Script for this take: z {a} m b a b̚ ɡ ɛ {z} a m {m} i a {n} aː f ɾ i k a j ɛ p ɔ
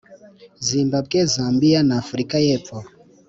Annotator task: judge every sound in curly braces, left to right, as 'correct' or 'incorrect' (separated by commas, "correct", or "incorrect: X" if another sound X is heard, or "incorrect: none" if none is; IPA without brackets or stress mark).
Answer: incorrect: i, correct, incorrect: b, correct